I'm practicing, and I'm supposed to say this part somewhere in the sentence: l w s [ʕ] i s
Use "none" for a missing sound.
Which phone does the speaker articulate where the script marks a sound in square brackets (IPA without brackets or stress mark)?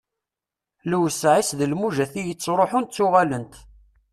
ʕ